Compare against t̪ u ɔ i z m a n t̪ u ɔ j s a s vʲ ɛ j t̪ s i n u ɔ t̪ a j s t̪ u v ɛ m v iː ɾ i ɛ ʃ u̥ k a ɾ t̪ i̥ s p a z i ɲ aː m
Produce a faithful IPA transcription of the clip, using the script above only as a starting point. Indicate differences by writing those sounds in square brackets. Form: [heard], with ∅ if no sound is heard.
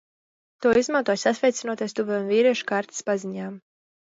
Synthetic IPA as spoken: t̪ u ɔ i z m a n t̪ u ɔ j s a s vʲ ɛ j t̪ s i n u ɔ t̪ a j s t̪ u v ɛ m v iː ɾ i ɛ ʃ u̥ k a ɾ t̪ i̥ s p a z i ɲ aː m